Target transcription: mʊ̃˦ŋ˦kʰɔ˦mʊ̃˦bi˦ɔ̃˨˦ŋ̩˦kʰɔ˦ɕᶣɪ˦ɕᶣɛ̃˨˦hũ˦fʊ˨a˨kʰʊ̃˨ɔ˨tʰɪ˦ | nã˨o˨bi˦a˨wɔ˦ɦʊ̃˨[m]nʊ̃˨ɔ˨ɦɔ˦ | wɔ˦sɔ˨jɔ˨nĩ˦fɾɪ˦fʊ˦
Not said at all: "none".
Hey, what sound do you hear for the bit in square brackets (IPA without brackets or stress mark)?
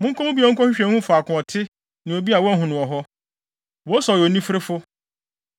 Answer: none